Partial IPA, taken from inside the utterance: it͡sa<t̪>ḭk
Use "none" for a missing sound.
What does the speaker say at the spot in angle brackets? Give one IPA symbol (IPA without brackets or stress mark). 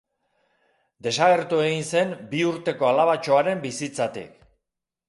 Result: t̪